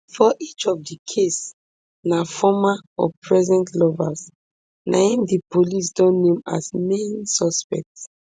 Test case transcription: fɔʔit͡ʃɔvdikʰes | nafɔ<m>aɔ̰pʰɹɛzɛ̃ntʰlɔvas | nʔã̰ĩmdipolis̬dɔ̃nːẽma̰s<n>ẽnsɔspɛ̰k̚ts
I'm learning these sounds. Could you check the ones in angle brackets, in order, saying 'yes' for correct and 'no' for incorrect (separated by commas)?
yes, no